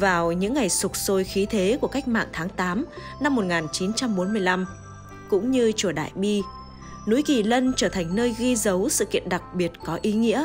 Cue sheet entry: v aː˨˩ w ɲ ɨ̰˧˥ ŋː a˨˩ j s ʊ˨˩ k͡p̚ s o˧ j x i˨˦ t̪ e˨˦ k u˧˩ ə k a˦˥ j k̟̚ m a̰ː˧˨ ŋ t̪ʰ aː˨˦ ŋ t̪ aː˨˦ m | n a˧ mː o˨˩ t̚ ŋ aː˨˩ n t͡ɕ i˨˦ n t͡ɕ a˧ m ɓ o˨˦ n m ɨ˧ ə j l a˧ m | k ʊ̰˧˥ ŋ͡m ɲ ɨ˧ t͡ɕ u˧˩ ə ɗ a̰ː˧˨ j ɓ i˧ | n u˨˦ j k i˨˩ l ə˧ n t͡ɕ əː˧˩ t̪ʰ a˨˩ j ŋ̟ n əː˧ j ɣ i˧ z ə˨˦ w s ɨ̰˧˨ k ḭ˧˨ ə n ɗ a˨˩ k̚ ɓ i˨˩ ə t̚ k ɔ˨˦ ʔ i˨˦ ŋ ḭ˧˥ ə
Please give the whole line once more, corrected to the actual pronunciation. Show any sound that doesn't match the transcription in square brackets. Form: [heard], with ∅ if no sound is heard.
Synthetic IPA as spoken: v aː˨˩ w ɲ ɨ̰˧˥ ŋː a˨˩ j s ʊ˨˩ k͡p̚ s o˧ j x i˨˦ [t̪ʰ] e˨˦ k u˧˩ ə k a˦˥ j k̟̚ m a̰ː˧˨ ŋ t̪ʰ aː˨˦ ŋ t̪ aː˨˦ m | n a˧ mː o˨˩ t̚ ŋ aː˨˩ n t͡ɕ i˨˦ n t͡ɕ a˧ m ɓ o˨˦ n m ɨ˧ ə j l a˧ m | k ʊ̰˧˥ ŋ͡m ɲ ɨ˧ t͡ɕ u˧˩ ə ɗ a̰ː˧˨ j ɓ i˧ | n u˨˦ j k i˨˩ l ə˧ n t͡ɕ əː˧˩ t̪ʰ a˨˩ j ŋ̟ n əː˧ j ɣ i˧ z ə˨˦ w s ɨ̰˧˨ k ḭ˧˨ ə n ɗ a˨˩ k̚ ɓ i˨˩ ə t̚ k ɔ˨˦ ʔ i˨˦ ŋ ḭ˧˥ ə